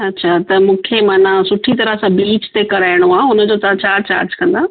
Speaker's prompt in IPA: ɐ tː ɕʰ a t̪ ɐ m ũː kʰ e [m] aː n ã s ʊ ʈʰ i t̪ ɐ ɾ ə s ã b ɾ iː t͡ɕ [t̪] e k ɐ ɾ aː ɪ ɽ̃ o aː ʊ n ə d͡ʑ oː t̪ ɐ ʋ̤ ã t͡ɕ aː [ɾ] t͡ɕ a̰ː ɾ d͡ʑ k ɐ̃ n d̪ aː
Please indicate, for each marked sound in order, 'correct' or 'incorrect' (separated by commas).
correct, correct, correct